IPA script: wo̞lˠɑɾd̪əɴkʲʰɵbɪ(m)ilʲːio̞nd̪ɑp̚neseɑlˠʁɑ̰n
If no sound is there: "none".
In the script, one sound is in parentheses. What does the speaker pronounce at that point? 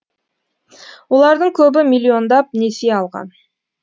m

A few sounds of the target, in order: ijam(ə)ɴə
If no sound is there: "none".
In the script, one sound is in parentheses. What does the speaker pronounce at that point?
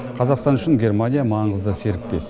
ɑ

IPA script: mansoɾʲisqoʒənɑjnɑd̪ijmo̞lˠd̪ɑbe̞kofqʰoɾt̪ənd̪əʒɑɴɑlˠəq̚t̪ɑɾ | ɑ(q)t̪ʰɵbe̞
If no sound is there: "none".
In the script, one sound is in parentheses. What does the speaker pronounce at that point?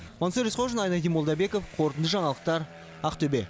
q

